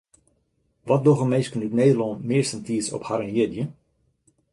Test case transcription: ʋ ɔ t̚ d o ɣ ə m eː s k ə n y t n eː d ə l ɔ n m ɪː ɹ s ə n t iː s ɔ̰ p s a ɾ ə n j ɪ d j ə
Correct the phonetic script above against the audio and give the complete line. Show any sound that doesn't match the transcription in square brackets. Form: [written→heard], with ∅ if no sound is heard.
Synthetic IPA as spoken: ʋ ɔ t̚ d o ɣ ə m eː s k ə n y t n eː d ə l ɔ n m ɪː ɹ s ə n t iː s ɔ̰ p [s→h] a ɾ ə n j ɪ d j ə